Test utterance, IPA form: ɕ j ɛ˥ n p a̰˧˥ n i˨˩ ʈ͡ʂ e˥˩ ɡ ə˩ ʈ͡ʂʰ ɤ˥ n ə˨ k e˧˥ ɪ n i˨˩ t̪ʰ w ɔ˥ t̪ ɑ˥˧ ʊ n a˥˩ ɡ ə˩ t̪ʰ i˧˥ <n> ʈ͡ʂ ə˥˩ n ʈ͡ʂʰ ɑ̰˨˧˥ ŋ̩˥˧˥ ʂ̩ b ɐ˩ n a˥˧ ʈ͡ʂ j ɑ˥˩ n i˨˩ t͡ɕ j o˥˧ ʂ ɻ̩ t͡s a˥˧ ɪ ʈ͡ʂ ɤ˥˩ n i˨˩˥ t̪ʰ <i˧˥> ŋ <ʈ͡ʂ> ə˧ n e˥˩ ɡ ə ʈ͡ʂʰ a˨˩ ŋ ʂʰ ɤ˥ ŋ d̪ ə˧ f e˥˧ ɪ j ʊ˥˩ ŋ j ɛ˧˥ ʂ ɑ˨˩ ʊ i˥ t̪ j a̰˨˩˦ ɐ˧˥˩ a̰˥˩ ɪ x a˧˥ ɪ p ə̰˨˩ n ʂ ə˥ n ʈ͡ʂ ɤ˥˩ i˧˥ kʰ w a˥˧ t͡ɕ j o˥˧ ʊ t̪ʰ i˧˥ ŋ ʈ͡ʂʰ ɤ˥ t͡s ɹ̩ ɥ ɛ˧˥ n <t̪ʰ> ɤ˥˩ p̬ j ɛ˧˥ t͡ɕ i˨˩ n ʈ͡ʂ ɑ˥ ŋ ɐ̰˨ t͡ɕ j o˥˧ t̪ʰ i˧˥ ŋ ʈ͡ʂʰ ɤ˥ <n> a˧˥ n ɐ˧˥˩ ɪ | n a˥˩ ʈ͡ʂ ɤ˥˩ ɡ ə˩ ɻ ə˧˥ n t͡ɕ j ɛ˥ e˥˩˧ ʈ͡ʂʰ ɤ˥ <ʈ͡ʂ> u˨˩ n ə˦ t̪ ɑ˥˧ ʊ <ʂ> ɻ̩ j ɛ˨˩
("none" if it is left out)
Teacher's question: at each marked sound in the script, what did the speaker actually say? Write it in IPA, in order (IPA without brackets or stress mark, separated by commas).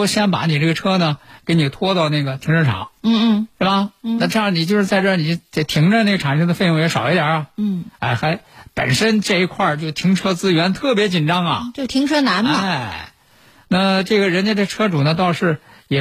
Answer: ŋ, i˧˥, ʈ͡ʂ, t̪ʰ, n, ʈ͡ʂ, ʂ